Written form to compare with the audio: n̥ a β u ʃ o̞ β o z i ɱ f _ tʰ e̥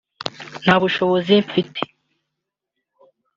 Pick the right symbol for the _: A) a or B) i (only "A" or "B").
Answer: B